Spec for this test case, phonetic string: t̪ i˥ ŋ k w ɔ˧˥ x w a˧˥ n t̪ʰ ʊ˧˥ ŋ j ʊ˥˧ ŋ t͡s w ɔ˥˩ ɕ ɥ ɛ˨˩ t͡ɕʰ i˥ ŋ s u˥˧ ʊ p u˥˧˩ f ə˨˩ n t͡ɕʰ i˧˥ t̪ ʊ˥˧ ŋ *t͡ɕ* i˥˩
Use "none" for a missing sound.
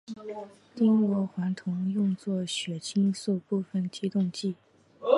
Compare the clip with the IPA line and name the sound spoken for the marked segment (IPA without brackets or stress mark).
t͡ɕ